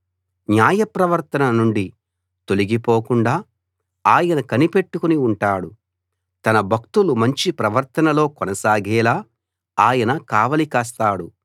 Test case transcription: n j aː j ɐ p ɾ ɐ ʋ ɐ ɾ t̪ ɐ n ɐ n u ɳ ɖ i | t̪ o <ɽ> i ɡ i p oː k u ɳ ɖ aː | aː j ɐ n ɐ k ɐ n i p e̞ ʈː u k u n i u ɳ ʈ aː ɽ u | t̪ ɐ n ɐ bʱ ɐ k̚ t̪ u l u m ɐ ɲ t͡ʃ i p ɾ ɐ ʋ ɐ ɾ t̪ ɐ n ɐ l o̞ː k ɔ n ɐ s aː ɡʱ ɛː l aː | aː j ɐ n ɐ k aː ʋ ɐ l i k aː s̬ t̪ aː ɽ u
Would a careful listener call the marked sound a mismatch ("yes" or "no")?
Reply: yes